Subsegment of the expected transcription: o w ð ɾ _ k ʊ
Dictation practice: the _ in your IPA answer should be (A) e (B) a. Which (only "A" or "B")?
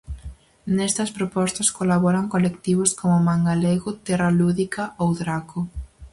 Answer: B